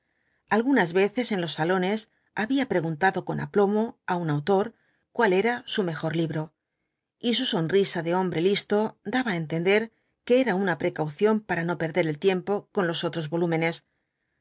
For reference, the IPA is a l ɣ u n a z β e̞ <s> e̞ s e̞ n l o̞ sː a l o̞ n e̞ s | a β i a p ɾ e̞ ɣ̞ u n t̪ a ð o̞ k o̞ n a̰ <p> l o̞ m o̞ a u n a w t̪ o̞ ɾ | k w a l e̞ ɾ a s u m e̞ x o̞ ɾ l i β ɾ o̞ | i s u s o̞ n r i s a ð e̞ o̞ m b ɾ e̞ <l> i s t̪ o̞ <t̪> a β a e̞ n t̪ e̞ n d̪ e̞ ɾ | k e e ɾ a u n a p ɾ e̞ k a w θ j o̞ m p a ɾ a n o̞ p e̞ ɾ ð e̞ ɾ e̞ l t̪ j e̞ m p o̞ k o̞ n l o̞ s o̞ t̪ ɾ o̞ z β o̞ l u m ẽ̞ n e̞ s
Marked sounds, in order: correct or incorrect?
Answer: incorrect: θ, correct, correct, incorrect: d̪

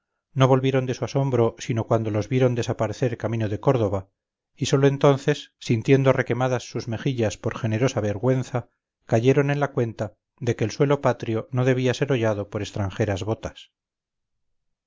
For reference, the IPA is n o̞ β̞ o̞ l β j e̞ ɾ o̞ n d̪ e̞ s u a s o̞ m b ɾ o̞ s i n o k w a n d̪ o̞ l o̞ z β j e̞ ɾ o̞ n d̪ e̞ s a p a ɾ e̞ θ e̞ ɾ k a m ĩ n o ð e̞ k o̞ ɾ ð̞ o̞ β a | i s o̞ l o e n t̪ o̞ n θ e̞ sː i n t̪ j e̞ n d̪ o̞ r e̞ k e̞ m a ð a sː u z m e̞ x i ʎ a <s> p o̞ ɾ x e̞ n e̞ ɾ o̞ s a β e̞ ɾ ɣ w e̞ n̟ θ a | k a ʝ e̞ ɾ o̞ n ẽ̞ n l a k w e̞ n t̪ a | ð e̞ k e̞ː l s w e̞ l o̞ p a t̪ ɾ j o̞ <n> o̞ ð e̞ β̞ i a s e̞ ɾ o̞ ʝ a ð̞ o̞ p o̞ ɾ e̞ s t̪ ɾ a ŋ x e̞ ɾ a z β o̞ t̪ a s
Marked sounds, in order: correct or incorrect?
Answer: correct, correct

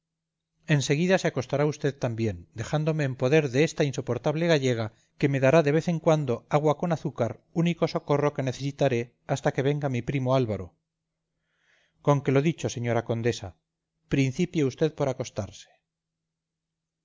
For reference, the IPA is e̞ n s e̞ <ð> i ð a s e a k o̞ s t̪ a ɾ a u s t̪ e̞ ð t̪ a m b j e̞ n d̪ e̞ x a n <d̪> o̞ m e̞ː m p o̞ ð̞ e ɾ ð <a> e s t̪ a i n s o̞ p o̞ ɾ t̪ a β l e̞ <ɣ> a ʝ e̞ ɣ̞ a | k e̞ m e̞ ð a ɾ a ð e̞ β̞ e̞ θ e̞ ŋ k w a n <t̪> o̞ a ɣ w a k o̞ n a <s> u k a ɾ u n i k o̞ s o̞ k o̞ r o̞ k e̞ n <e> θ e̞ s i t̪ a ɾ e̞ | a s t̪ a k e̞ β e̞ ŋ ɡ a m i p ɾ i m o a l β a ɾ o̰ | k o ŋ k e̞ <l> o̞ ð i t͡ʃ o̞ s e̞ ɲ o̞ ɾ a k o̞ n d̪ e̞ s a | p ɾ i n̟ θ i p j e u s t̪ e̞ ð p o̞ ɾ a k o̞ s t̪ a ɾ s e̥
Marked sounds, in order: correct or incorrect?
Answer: incorrect: ɣ, correct, incorrect: e, correct, incorrect: d̪, incorrect: θ, correct, correct

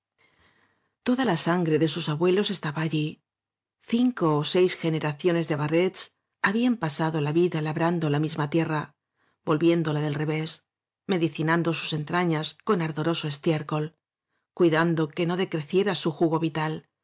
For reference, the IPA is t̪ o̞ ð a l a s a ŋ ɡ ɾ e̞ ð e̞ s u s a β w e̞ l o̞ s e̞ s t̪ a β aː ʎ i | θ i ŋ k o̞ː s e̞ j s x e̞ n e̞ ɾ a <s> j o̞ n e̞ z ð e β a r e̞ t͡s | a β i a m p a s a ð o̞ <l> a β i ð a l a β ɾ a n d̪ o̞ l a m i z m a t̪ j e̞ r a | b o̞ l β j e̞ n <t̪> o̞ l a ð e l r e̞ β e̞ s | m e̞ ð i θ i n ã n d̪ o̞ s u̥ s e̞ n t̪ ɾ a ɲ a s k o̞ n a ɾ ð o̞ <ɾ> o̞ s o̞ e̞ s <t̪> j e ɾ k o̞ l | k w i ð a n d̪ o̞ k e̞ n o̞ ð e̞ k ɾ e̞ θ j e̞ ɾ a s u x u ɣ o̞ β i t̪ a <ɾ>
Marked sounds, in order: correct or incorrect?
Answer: incorrect: θ, correct, incorrect: d̪, correct, correct, incorrect: l

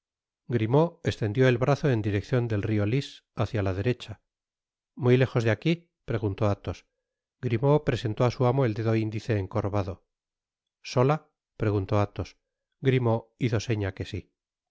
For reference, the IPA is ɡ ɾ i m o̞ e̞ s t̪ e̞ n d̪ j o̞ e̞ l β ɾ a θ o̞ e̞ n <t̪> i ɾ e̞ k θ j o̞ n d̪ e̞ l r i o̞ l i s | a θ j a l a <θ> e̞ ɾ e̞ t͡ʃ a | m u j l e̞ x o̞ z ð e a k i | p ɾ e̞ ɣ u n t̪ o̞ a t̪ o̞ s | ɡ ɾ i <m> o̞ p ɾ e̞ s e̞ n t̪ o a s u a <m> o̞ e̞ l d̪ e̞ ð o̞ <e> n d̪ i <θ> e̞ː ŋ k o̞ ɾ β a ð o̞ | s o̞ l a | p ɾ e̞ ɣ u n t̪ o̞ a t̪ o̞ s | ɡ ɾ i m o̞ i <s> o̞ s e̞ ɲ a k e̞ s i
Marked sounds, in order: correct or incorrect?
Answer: incorrect: d̪, incorrect: ð, correct, correct, incorrect: i, correct, incorrect: θ

